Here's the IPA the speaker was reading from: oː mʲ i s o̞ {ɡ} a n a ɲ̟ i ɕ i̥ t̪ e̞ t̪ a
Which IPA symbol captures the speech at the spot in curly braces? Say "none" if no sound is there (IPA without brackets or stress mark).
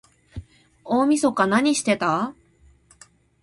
k